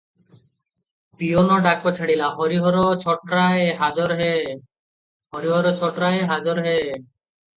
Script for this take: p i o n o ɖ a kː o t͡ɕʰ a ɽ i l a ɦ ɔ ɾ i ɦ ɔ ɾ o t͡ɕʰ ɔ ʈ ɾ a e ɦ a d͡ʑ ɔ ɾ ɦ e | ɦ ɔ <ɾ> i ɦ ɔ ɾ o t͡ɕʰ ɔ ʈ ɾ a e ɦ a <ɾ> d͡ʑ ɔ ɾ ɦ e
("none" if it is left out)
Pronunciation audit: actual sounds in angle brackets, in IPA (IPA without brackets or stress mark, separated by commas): ɾ, none